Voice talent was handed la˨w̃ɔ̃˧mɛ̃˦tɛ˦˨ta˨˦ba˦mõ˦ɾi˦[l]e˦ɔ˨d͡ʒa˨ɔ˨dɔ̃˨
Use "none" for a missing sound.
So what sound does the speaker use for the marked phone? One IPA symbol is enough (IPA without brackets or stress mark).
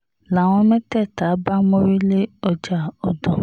l